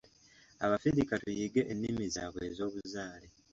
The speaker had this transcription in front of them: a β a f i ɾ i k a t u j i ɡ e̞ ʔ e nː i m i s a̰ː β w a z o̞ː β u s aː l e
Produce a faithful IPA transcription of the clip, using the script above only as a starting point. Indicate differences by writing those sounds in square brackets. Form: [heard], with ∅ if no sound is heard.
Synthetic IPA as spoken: a β a f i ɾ i k a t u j i ɡ e̞ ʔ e nː i m i [z] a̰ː β w [e] z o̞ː β u [z] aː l e